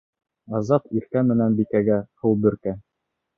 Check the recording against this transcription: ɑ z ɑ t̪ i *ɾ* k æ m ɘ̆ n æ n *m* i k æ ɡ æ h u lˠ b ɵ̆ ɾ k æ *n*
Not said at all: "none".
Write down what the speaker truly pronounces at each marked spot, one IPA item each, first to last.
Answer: ɾ, b, none

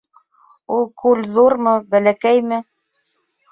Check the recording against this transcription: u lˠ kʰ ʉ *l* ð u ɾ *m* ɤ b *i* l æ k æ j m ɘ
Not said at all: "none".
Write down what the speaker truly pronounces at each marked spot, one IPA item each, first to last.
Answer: l, m, æ

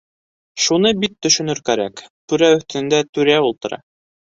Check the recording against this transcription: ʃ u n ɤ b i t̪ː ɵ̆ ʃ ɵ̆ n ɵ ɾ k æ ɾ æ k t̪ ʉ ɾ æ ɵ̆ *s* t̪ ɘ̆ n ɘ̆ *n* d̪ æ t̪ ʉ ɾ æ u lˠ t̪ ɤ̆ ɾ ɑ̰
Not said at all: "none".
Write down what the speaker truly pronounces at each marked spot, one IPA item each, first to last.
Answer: θ, n

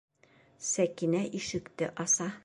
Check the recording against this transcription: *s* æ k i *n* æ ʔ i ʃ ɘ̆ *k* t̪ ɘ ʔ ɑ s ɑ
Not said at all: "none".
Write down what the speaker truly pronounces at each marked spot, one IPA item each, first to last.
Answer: s, n, k

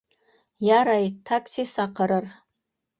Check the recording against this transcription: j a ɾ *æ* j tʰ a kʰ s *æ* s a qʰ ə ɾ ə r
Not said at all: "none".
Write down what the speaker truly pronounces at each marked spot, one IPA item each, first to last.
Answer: a, i

